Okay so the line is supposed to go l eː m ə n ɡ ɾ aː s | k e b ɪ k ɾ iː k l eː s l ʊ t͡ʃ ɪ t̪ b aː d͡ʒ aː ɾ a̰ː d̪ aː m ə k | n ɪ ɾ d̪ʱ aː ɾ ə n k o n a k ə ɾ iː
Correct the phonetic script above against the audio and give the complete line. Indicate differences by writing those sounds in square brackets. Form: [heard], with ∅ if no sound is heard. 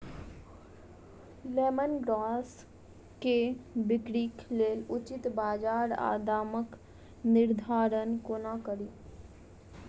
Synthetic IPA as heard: l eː m ə n ɡ ɾ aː s | k e b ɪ k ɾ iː k l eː [∅] l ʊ t͡ʃ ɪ t̪ b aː d͡ʒ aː ɾ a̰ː d̪ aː m ə k | n ɪ ɾ d̪ʱ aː ɾ ə n k o n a k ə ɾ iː